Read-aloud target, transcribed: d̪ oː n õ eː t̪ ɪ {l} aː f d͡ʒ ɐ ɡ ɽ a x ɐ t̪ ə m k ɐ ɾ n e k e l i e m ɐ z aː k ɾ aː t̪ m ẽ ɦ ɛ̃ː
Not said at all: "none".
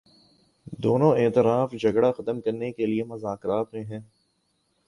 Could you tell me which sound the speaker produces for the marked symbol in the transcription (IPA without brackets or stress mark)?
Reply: ɾ